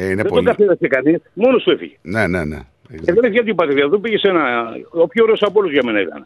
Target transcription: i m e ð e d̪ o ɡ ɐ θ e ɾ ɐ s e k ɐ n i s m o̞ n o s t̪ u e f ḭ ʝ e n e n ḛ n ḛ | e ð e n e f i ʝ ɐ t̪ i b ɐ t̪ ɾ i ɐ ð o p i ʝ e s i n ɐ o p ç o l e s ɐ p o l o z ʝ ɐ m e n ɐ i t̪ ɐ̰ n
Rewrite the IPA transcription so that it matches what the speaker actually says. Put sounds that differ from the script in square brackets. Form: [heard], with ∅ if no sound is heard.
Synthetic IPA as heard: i [n] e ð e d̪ o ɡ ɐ θ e ɾ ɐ s e k ɐ n i s m o̞ n o s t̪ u e f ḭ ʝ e n e n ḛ n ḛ | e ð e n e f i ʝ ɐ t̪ i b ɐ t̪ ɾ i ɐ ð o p i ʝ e s [e] n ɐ o p ç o [ɾ] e s ɐ p o l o z ʝ ɐ m e n ɐ i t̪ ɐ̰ n